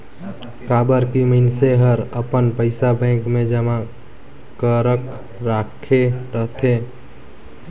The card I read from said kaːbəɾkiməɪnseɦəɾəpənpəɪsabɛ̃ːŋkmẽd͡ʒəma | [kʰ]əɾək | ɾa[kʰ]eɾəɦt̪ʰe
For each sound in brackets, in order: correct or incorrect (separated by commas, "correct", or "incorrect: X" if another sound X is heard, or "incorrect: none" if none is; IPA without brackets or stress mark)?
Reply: incorrect: k, correct